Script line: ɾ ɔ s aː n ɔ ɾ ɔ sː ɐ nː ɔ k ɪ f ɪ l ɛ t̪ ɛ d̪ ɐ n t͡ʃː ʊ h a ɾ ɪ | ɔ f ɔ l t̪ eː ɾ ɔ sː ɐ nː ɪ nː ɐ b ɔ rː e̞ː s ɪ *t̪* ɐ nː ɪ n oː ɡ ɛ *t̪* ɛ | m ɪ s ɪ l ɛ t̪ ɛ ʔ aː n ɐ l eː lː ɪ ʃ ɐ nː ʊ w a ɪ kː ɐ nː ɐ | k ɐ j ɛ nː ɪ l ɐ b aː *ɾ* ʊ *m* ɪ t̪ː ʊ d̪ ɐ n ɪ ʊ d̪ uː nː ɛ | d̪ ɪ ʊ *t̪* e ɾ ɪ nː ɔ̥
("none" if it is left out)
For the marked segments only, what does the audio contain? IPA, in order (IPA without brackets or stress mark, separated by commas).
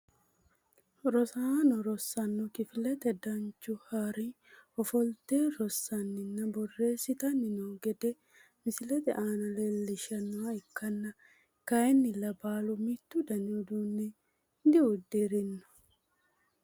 t̪, d̪, l, m, d̪